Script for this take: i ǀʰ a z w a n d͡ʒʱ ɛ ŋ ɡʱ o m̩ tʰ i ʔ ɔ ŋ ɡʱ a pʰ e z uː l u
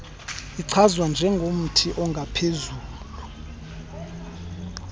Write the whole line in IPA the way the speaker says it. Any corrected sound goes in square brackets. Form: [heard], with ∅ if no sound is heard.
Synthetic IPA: i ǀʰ a z w a n d͡ʒʱ ɛ ŋ ɡʱ o m̩ tʰ i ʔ ɔ ŋ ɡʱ a pʰ e z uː l u